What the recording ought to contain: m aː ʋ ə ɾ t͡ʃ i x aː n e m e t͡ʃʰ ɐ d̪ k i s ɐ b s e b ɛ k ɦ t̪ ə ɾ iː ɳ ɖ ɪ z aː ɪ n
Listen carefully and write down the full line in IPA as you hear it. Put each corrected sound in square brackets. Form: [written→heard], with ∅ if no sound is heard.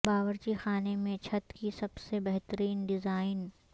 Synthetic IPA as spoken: [m→b] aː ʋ ə ɾ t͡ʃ i x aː n e m [e→ẽ] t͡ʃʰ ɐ [d̪→t̪] k i s ɐ b s e b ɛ [k→∅] ɦ t̪ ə ɾ iː [ɳ→n] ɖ ɪ z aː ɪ n